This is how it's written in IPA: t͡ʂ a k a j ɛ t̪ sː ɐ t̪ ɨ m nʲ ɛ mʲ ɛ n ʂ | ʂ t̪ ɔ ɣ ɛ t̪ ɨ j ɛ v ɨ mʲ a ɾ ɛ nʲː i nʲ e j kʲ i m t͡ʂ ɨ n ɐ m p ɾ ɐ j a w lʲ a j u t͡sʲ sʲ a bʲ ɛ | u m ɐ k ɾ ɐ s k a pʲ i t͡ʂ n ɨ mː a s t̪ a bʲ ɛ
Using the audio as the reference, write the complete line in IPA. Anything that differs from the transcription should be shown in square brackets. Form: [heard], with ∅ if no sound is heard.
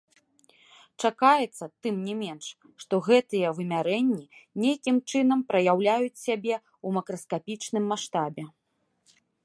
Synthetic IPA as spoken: t͡ʂ a k a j ɛ t̪ sː ɐ t̪ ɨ m nʲ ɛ mʲ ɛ n ʂ | ʂ t̪ ɔ ɣ ɛ t̪ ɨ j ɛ v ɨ mʲ a ɾ ɛ nʲː i nʲ e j kʲ i m t͡ʂ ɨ n ɐ m p ɾ ɐ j a w lʲ a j u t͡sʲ sʲ a bʲ ɛ | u m ɐ k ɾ ɐ s k a pʲ i t͡ʂ n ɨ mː a [ʂ] t̪ a bʲ ɛ